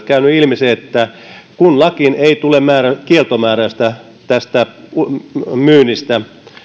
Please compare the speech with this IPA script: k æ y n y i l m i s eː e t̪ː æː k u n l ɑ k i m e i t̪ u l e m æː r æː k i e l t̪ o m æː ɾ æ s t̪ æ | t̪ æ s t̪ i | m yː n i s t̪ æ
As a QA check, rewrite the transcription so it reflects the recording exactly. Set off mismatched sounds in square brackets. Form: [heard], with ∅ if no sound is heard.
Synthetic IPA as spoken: k æ y n y i l m i s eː e t̪ː [æ] k u n l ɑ k i [n] e i t̪ u l e m æː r [æ] k i e l t̪ o m æː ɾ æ s t̪ æ | t̪ æ s t̪ [æ] | m yː n i s t̪ æ